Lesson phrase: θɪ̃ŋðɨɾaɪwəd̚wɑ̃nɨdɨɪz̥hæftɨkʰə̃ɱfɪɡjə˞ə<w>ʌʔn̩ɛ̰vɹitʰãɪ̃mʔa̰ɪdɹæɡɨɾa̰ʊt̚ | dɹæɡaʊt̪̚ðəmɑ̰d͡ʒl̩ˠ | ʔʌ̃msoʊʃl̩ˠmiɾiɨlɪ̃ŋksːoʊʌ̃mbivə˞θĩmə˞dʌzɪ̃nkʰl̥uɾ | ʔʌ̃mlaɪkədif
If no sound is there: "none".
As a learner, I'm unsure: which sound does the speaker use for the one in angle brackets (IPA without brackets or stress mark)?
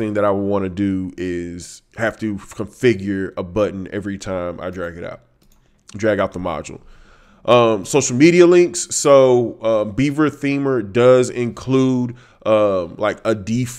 b